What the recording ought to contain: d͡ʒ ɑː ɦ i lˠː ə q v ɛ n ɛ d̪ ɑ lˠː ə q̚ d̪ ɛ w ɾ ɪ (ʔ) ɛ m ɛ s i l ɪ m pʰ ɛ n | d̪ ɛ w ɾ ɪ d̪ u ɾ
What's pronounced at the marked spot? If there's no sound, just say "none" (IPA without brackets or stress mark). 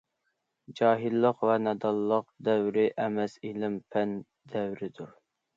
ʔ